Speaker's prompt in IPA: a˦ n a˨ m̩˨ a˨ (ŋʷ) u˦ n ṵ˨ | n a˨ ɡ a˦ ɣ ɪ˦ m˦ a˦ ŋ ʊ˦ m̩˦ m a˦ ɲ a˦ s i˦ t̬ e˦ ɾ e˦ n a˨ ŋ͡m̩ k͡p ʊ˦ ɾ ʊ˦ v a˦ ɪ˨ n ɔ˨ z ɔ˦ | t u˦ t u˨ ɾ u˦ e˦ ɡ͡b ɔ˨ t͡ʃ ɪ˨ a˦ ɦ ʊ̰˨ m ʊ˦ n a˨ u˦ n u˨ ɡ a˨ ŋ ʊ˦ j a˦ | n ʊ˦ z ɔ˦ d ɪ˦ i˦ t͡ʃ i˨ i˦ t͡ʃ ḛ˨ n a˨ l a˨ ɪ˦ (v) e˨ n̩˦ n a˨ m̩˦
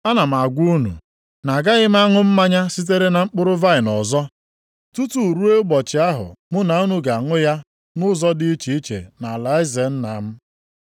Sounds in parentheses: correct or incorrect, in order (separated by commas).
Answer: incorrect, incorrect